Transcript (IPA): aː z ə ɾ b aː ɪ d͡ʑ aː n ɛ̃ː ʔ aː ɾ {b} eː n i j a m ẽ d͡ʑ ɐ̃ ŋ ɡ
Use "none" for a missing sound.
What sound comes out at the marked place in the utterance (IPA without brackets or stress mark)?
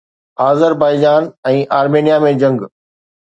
m